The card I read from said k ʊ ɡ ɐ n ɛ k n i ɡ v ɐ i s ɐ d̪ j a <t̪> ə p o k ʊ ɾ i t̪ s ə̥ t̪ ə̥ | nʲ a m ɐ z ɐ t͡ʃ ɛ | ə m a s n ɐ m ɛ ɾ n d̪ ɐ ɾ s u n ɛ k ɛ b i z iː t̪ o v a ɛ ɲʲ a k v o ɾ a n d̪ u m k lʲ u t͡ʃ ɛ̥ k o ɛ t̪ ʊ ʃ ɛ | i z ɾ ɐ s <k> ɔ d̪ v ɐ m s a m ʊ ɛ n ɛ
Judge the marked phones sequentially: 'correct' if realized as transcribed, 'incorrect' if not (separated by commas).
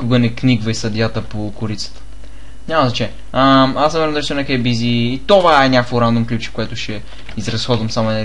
correct, incorrect